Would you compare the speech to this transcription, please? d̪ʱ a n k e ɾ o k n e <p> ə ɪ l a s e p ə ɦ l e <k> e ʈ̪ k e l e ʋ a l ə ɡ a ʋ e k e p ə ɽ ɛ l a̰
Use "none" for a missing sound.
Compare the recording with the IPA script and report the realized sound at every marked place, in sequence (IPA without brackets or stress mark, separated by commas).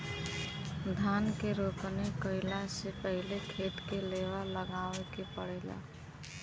k, kʰ